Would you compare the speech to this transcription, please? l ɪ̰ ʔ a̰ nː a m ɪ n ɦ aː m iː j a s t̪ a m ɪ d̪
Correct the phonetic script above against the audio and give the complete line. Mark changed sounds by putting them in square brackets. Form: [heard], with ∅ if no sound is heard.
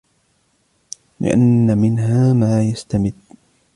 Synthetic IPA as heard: l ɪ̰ ʔ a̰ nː a m ɪ n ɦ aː m [aː] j a s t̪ a m ɪ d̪